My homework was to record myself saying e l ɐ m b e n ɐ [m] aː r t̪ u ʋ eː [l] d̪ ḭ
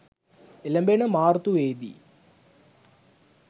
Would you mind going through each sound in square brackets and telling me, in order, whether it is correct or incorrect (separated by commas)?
correct, incorrect